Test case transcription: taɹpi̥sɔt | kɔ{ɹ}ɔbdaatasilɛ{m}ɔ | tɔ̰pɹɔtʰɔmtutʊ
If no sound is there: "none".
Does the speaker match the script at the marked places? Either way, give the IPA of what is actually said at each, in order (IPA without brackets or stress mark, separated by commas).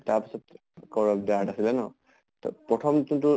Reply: ɹ, n